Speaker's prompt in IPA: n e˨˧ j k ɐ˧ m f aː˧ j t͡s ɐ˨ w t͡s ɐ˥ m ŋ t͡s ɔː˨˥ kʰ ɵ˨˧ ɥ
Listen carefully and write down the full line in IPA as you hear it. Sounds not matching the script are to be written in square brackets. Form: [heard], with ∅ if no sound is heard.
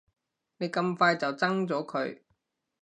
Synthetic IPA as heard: n e˨˧ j k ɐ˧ m f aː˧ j t͡s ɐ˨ w t͡s ɐ˥ [∅] ŋ t͡s ɔː˨˥ kʰ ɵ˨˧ ɥ